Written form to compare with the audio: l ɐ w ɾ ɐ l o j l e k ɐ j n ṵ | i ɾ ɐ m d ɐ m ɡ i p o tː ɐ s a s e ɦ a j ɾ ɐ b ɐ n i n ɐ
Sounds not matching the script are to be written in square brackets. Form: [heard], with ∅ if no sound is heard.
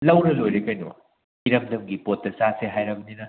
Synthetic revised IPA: l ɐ w ɾ ɐ l o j [ɾ] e k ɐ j n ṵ | i ɾ ɐ m d ɐ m ɡ i p o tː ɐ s a s e ɦ a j ɾ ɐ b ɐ n i n ɐ